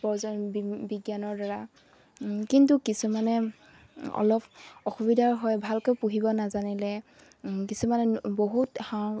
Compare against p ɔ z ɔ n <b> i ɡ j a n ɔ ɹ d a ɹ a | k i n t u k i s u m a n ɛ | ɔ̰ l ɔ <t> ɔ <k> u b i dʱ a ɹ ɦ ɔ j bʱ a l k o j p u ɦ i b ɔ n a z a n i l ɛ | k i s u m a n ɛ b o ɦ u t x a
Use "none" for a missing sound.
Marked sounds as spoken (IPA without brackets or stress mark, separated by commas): b, p, x